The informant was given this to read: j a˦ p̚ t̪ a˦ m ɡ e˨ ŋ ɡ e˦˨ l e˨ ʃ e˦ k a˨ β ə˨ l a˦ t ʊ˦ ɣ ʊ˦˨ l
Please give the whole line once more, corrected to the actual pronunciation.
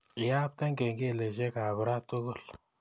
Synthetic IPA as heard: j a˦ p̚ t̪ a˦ ŋ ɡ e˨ ŋ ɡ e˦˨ l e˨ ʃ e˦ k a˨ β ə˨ ɾ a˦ t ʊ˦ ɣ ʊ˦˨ l